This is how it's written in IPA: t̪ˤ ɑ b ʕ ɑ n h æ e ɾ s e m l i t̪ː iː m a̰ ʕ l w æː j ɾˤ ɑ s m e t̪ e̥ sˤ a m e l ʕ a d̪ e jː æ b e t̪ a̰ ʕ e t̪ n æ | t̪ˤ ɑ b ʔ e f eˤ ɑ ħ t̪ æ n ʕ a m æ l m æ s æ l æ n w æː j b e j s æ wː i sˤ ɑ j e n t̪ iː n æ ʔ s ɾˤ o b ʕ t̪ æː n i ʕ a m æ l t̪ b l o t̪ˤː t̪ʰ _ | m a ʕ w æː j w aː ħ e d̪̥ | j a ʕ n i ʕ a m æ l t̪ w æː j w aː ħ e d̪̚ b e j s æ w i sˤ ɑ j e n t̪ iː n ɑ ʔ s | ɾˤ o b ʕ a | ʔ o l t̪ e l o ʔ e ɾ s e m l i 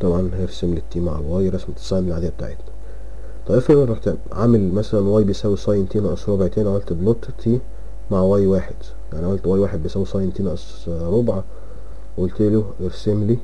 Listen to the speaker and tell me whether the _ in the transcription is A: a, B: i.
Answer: B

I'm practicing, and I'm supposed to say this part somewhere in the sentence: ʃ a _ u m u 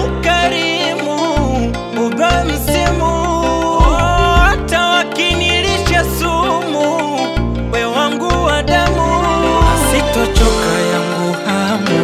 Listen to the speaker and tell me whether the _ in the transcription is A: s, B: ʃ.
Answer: A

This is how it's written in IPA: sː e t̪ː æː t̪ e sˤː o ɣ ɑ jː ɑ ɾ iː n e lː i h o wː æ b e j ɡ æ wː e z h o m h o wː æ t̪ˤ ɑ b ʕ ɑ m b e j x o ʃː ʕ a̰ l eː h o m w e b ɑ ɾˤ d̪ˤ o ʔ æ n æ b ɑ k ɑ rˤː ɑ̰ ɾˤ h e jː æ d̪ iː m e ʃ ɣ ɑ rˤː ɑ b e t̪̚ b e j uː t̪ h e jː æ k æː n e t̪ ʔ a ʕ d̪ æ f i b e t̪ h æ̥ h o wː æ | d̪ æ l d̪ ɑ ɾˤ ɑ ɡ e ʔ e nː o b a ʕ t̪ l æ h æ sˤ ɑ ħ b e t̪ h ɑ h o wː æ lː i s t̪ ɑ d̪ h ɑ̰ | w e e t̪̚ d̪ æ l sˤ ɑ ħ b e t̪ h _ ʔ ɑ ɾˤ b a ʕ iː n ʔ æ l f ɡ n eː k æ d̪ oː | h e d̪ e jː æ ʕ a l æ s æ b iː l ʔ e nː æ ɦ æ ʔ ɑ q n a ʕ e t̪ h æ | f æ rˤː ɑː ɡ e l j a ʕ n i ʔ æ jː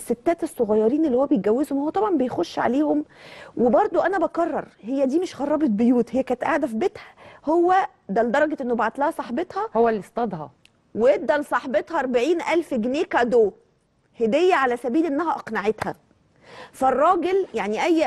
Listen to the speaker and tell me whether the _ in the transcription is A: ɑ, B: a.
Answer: A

